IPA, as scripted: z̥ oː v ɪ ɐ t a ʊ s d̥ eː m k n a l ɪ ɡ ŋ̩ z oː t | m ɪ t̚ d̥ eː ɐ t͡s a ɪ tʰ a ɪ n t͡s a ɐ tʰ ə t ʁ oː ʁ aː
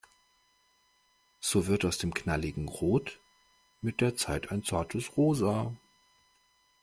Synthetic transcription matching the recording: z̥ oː v ɪ ɐ t a ʊ s d̥ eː m k n a l ɪ ɡ ŋ̩ ʁ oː t | m ɪ t̚ d̥ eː ɐ t͡s a ɪ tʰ a ɪ n t͡s a ɐ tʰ ə s ʁ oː z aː

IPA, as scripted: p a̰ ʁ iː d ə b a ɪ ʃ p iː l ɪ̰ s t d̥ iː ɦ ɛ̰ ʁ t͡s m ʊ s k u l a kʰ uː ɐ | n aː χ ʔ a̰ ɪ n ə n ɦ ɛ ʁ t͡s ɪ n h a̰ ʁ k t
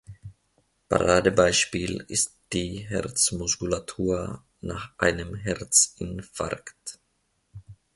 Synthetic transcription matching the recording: p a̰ ʁ aː d ə b a ɪ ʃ p iː l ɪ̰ s t d̥ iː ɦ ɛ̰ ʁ t͡s m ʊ s k u l a tʰ uː ɐ | n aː χ ʔ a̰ ɪ n ə m ɦ ɛ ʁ t͡s ɪ n f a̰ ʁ k t

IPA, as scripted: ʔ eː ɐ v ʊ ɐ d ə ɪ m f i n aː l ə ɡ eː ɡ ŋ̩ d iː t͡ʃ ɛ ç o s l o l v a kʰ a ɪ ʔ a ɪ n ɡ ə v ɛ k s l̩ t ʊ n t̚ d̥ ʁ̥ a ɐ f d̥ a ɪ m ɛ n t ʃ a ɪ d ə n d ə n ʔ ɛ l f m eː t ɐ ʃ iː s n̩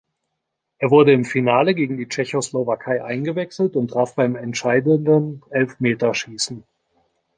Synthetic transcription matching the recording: ʔ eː ɐ v ʊ ɐ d ə ɪ m f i n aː l ə ɡ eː ɡ ŋ̩ d iː t͡ʃ ɛ ç o s l o v a kʰ a ɪ ʔ a ɪ n ɡ ə v ɛ k s l̩ t ʊ n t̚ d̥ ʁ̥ a ɐ f b̥ a ɪ m ɛ n t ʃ a ɪ d ə n d ə n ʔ ɛ l f m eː t ɐ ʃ iː s n̩

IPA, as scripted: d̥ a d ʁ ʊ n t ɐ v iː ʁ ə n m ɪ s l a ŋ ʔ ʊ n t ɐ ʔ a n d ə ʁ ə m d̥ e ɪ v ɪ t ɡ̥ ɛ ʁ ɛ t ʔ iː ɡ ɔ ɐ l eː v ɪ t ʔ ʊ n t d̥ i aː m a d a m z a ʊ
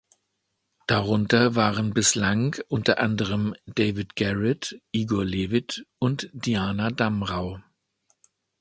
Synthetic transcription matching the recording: d̥ a ʁ ʊ n t ɐ v aː ʁ ə n b ɪ s l a ŋ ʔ ʊ n t ɐ ʔ a n d ə ʁ ə m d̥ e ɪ v ɪ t ɡ̥ ɛ ʁ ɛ t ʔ iː ɡ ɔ ɐ l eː v ɪ t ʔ ʊ n t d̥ i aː n a d a m ʁ a ʊ

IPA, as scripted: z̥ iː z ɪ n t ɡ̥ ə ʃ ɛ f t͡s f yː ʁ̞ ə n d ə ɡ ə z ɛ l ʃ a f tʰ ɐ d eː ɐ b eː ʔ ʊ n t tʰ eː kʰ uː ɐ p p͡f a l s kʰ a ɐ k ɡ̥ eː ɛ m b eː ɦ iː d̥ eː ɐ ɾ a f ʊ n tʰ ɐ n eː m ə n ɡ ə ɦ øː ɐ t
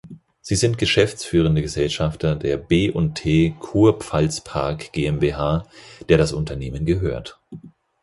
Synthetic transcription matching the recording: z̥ iː z ɪ n t ɡ̥ ə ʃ ɛ f t͡s f yː ʁ̞ ə n d ə ɡ ə z ɛ l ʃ a f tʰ ɐ d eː ɐ b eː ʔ ʊ n t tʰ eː kʰ uː ɐ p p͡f a l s pʰ a ɐ k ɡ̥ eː ɛ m b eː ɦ aː d̥ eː ɐ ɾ a s ʊ n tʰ ɐ n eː m ə n ɡ ə ɦ øː ɐ t

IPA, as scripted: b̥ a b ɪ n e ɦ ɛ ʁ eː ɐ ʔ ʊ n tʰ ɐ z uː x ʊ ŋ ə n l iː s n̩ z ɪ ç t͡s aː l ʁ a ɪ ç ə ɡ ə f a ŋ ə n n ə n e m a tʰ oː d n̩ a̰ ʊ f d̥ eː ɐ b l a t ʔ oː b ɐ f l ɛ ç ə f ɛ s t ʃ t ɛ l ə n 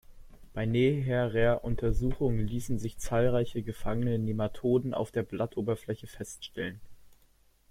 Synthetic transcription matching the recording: b̥ a ɪ n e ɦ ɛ ʁ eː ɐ ʔ ʊ n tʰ ɐ z uː x ʊ ŋ ə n l iː s n̩ z ɪ ç t͡s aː l ʁ a ɪ ç ə ɡ ə f a ŋ ə n n ə n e m a tʰ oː d n̩ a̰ ʊ f d̥ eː ɐ b l a t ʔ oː b ɐ f l ɛ ç ə f ɛ s t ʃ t ɛ l ə n

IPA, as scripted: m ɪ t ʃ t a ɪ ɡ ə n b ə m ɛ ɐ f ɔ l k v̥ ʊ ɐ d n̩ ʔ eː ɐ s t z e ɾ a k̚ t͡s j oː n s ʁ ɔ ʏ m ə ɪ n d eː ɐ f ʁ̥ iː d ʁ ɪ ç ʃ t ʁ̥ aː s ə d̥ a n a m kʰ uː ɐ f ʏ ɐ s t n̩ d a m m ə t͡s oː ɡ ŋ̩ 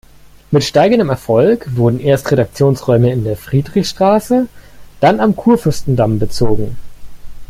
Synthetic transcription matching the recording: m ɪ t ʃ t a ɪ ɡ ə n d ə m ɛ ɐ f ɔ l k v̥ ʊ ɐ d n̩ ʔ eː ɐ s t ʁ e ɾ a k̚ t͡s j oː n s ʁ ɔ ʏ m ə ɪ n d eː ɐ f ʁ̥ iː d ʁ ɪ ç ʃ t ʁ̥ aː s ə d̥ a n a m kʰ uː ɐ f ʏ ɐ s t n̩ d a m b ə t͡s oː ɡ ŋ̩

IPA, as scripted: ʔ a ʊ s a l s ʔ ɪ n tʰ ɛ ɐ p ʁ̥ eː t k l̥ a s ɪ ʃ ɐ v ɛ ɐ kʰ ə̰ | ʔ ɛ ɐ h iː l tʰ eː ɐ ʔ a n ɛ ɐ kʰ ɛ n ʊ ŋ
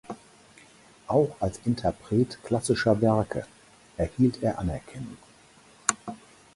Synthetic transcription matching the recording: ʔ a ʊ x a l s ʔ ɪ n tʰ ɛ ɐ p ʁ̥ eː t k l̥ a s ɪ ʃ ɐ v ɛ ɐ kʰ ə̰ | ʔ ɛ ɐ h iː l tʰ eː ɐ ʔ a n ɛ ɐ kʰ ɛ n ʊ ŋ

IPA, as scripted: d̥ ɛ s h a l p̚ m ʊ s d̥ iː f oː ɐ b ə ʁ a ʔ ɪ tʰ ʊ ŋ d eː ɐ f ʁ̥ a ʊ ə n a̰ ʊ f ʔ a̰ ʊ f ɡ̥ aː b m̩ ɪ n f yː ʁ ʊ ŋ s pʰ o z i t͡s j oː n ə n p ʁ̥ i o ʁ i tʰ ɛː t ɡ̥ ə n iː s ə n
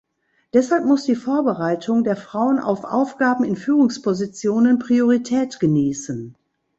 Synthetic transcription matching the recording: d̥ ɛ s h a l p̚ m ʊ s d̥ iː f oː ɐ b ə ʁ a ɪ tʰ ʊ ŋ d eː ɐ f ʁ̥ a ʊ ə n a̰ ʊ f ʔ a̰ ʊ f ɡ̥ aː b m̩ ɪ n f yː ʁ ʊ ŋ s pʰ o z i t͡s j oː n ə n p ʁ̥ i o ʁ i tʰ ɛː t ɡ̥ ə n iː s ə n

